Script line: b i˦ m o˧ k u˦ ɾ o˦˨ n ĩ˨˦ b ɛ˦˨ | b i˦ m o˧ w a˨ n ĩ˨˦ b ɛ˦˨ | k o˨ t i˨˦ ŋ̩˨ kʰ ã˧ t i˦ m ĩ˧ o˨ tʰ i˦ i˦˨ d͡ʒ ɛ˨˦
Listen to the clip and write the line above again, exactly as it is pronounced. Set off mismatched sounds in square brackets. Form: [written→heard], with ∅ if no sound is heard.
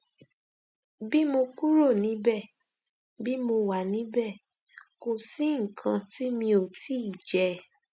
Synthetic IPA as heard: b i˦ m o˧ k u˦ ɾ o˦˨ n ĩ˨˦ b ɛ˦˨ | b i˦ m o˧ w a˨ n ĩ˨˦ b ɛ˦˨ | k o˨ [t→s] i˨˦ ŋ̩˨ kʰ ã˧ t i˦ m ĩ˧ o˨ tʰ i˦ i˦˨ d͡ʒ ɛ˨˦